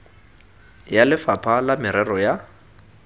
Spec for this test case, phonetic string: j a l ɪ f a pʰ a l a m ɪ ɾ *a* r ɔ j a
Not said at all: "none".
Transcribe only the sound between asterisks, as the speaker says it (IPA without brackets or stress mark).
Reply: ɛ